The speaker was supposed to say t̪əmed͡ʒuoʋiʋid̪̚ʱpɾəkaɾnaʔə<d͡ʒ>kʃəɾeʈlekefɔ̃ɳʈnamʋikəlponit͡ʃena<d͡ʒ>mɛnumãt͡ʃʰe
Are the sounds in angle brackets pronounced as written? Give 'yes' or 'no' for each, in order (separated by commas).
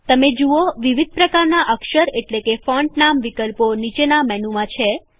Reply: no, no